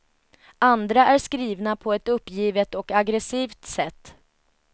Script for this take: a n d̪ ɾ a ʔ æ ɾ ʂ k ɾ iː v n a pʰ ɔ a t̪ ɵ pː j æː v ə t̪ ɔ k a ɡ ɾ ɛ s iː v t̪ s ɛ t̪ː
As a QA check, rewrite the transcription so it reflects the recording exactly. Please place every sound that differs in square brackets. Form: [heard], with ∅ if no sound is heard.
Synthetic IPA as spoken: a n d̪ ɾ a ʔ æ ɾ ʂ k ɾ iː v n a pʰ ɔ [ɛ] t̪ ɵ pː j [iː] v ə t̪ ɔ k a ɡ ɾ ɛ s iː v t̪ s ɛ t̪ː

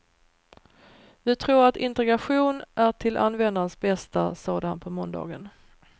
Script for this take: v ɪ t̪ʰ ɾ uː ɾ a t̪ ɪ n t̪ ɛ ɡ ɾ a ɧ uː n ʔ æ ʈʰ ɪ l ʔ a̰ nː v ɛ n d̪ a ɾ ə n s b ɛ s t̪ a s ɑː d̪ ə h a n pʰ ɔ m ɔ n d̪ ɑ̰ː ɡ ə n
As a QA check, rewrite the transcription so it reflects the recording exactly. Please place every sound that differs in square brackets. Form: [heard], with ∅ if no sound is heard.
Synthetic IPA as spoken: v ɪ t̪ʰ ɾ uː ɾ a t̪ ɪ n t̪ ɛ ɡ ɾ a ɧ uː n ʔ æ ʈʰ ɪ l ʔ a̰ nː v ɛ n d̪ a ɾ ə n s b ɛ s t̪ a s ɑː d̪ ə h a n pʰ ɔ m ɔ n d̪ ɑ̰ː ɡ ə n

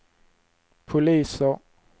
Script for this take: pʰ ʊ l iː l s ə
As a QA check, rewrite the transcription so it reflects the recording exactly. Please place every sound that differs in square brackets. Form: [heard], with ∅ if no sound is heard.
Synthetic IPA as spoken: pʰ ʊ l iː [∅] s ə

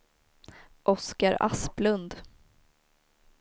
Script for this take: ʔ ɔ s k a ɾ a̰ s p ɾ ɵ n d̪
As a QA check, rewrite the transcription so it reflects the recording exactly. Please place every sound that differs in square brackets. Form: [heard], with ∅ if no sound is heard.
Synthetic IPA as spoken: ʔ ɔ s k a ɾ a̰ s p [l] ɵ n d̪

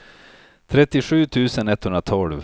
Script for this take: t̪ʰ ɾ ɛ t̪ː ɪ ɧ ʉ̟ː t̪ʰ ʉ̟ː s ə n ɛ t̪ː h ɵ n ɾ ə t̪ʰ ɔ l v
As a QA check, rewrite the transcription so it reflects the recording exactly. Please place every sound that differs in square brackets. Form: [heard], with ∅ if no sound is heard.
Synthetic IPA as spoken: t̪ʰ ɾ ɛ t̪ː ɪ ɧ ʉ̟ː t̪ʰ ʉ̟ː s ə n ɛ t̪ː h ɵ n ɾ [a] t̪ʰ ɔ l v

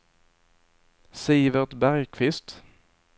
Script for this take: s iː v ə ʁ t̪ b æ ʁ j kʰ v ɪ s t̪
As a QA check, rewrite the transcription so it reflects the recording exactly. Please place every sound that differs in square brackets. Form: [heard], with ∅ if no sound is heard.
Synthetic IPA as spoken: s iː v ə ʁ t̪ b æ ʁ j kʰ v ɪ s t̪

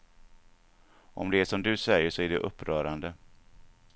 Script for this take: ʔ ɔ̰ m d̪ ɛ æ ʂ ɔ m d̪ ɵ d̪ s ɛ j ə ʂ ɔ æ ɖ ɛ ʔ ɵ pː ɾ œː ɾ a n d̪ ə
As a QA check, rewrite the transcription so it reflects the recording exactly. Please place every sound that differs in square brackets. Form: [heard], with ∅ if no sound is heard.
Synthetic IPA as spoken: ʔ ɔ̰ m d̪ ɛ æ ʂ ɔ m d̪ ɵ [∅] s ɛ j ə ʂ ɔ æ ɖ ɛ ʔ ɵ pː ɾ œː ɾ a n d̪ ə

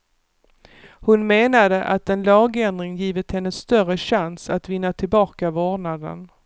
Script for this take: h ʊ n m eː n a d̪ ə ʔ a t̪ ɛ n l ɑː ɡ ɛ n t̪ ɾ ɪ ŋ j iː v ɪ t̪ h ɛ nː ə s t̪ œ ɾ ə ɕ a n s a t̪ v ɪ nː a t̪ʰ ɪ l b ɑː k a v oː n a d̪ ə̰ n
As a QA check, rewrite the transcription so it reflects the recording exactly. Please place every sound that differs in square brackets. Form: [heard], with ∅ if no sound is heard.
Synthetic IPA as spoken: h ʊ n m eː n a d̪ ə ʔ a t̪ ɛ n l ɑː ɡ ɛ n [d̪] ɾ ɪ ŋ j iː v ɪ t̪ h ɛ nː ə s t̪ œ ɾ ə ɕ a n s a t̪ v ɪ nː a t̪ʰ ɪ l b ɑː k a v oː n a d̪ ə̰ n

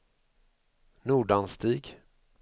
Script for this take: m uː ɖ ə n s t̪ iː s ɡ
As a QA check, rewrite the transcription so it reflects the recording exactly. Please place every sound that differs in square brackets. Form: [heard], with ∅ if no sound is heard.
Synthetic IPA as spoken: [n] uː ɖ [a] n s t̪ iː [∅] ɡ

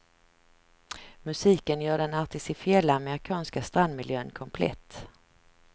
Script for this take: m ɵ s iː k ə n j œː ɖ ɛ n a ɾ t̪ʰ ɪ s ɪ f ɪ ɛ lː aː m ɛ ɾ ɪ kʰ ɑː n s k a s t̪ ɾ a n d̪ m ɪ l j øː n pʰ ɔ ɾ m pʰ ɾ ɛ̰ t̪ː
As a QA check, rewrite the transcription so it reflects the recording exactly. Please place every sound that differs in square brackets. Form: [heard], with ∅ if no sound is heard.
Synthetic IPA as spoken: m ɵ s iː k ə n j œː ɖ ɛ n a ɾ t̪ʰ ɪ s ɪ f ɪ ɛ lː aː m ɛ ɾ ɪ kʰ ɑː n s k a s t̪ ɾ a n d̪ m ɪ l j øː n [kʰ] ɔ [∅] m pʰ [l] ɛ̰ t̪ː

